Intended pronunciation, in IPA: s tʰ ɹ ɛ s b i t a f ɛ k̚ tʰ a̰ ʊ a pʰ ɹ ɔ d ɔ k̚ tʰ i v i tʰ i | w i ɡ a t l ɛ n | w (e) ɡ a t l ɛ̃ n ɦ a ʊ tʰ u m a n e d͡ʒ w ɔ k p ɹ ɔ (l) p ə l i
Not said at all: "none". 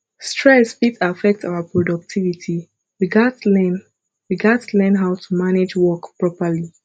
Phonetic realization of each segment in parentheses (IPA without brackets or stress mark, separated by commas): i, none